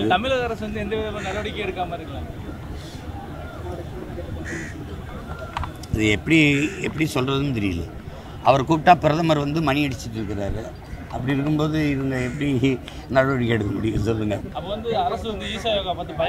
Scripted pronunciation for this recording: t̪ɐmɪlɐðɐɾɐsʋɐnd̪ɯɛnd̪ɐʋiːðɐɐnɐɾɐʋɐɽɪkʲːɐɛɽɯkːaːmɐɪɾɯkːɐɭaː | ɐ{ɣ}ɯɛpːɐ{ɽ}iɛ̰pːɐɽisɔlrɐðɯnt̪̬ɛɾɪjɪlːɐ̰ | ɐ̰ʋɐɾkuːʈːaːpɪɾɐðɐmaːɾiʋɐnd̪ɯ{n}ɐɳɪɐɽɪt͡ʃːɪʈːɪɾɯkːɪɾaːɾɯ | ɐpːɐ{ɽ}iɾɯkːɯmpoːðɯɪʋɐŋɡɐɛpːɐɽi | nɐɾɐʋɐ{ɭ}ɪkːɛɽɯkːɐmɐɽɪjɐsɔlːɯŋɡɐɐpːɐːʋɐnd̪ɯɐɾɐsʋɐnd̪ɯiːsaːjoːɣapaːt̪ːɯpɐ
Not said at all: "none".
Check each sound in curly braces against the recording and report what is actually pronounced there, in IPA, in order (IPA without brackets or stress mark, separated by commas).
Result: ð, ɽ, m, ɽ, ɽ